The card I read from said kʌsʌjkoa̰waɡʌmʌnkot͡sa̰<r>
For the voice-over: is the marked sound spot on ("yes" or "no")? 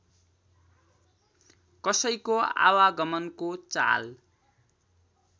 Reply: no